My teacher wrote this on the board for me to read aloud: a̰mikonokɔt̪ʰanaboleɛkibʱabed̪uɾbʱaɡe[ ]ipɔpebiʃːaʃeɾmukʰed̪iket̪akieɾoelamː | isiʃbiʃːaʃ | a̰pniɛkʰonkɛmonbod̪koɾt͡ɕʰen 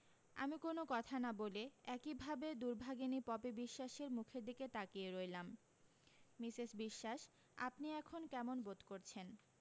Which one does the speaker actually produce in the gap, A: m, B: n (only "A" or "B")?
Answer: B